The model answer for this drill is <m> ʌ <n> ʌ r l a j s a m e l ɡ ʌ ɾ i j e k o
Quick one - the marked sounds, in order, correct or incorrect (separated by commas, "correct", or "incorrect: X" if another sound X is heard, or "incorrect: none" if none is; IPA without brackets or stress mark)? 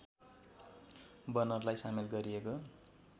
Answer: incorrect: b, correct